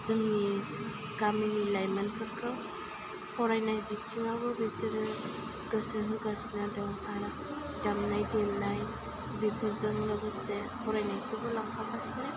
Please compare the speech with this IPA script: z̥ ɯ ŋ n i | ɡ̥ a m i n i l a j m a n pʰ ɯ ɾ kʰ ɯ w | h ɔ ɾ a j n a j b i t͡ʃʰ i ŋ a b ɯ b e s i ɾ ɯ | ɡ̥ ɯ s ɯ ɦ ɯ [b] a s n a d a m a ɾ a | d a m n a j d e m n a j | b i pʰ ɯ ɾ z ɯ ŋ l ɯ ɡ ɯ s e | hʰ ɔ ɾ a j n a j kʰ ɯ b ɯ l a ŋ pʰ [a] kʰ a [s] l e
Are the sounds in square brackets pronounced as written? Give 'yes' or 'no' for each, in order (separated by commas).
no, yes, yes